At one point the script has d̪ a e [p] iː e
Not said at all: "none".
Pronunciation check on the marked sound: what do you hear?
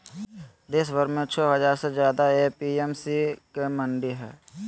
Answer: p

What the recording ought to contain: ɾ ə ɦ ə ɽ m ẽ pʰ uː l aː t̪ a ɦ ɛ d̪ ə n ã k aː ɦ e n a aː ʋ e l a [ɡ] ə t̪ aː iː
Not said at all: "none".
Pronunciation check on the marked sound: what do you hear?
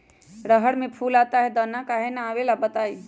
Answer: b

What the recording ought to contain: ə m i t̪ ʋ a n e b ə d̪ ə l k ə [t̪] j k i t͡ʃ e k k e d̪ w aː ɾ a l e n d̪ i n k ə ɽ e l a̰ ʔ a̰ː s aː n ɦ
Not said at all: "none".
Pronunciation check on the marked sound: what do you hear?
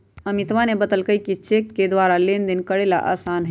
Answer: none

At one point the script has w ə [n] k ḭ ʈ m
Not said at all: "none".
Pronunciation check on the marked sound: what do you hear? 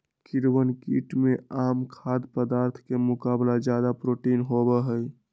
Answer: n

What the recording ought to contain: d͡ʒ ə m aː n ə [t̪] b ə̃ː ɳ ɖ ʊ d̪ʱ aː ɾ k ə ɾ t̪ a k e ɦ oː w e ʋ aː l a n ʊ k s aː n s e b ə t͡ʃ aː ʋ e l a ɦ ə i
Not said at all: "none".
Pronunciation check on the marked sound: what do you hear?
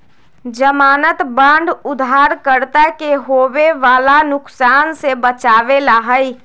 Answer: t̪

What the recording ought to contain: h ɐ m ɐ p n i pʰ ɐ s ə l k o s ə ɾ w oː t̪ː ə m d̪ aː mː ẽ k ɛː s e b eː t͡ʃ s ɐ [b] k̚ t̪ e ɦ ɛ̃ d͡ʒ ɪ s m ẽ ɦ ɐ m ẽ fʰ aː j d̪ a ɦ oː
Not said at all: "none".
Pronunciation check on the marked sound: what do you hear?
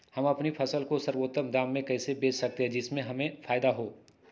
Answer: none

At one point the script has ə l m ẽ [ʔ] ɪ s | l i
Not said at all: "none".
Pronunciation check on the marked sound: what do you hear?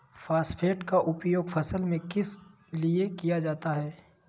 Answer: k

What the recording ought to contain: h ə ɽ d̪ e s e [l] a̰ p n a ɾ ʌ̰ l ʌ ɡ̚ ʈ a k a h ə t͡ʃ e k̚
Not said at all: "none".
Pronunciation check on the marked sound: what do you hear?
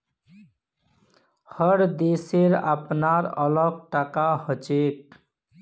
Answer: ɾ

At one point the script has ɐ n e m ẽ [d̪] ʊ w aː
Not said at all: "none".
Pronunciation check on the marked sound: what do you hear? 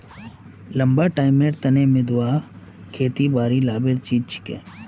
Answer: d̪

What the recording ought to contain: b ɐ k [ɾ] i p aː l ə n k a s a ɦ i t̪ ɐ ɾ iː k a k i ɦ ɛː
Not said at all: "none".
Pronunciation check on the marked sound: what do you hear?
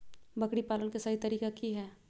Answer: ɽ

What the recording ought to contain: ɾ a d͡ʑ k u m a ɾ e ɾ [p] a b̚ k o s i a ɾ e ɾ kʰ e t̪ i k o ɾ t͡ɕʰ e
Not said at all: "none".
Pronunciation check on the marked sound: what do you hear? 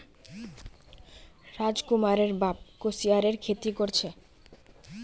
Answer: b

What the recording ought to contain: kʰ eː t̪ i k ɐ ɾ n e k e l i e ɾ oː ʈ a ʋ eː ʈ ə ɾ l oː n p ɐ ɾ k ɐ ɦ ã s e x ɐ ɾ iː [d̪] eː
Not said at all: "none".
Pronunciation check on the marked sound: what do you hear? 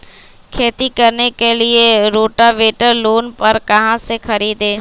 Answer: d̪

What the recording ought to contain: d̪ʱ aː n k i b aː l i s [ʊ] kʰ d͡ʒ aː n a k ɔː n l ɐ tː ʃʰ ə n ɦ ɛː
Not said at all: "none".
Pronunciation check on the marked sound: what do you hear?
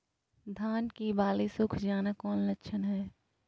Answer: ʊ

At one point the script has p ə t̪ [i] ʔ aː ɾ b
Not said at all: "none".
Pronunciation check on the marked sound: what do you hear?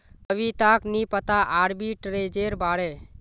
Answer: a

